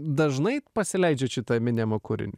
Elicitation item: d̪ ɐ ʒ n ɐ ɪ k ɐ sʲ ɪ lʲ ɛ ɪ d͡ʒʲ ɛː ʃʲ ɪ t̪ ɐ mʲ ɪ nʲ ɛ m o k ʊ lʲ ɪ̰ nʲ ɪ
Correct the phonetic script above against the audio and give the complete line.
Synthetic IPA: d̪ ɐ ʒ n ɐ ɪ p ɐ sʲ ɪ lʲ ɛ ɪ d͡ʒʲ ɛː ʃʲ ɪ t̪ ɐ mʲ ɪ nʲ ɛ m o k ʊ ɾʲ ɪ̰ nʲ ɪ